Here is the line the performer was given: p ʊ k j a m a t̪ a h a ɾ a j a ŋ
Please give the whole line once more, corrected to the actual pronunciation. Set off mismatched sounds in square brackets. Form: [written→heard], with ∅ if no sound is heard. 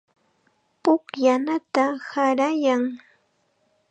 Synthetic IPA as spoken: p ʊ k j a [m→n] a t̪ a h a ɾ a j a ŋ